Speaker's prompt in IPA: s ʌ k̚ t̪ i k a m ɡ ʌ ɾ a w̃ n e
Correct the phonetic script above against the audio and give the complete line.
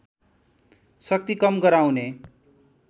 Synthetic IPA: s ʌ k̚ t̪ i k ʌ m ɡ ʌ ɾ a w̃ n e